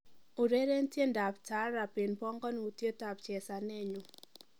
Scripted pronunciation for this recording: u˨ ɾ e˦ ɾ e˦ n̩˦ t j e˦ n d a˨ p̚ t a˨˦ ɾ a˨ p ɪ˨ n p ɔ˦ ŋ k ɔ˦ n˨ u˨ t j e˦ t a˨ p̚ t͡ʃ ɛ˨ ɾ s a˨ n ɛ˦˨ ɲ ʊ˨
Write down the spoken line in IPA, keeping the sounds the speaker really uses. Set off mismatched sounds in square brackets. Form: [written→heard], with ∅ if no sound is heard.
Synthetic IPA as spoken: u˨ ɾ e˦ ɾ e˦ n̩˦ t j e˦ n d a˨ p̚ t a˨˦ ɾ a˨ p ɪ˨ n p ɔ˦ ŋ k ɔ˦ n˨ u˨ t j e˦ t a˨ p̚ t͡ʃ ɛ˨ [ɾ→∅] s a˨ n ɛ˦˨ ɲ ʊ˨